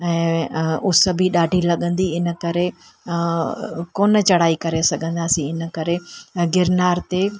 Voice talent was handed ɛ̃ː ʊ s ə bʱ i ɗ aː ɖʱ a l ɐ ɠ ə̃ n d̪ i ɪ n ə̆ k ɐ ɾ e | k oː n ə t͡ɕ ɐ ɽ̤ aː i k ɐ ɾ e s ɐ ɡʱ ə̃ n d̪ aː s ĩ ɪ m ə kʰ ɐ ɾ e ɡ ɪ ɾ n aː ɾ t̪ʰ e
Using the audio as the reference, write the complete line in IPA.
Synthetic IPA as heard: ɛ̃ː ʊ s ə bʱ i ɗ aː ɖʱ i l ɐ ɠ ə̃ n d̪ i ɪ n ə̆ k ɐ ɾ e | k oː n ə t͡ɕ ɐ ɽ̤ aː i k ɐ ɾ e s ɐ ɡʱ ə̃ n d̪ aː s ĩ ɪ n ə k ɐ ɾ e ɡ ɪ ɾ n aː ɾ t̪ e